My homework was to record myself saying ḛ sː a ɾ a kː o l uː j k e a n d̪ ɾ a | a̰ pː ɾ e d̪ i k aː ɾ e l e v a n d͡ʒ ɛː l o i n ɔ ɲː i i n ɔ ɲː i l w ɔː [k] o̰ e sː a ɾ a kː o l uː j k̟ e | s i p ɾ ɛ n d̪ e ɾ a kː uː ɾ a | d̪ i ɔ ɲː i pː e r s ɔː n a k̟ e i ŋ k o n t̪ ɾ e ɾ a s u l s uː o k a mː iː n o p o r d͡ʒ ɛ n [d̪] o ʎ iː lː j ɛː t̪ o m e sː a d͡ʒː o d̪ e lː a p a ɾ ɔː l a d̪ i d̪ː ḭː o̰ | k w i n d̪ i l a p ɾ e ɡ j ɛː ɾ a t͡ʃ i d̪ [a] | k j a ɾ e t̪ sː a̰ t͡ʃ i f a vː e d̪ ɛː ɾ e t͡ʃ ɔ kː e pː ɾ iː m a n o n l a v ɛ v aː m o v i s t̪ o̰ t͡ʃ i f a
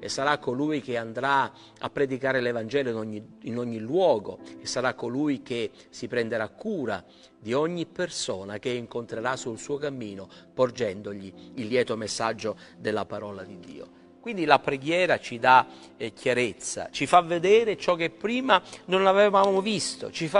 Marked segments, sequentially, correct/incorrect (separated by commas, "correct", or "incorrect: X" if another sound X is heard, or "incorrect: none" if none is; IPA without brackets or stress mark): incorrect: ɡ, correct, correct